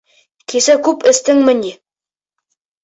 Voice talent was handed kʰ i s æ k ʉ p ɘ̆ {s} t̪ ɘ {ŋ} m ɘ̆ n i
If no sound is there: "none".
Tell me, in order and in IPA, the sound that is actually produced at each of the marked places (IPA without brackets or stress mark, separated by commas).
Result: s, ŋ